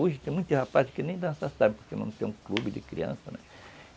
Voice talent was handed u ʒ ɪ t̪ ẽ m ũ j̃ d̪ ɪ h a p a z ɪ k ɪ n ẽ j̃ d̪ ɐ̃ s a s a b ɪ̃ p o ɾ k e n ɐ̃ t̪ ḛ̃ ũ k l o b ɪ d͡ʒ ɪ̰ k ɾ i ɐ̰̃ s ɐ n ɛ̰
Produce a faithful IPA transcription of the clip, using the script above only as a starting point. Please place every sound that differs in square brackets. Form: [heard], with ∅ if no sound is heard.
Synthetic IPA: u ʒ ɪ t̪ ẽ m ũ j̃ [t̪] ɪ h a p a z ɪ k ɪ n ẽ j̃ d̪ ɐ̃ s a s a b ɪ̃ p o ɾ k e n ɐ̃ t̪ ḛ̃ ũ k l [u] b ɪ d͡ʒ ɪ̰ k ɾ i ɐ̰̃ s ɐ n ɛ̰